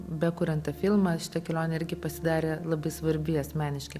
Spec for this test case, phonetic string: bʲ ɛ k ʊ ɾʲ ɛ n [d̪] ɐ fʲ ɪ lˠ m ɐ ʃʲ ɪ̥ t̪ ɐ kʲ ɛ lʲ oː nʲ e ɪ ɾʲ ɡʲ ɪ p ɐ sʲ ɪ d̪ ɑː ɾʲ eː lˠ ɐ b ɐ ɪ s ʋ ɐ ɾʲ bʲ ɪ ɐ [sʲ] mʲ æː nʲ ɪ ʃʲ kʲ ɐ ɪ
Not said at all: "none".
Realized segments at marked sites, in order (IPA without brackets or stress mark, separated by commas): t̪, sʲ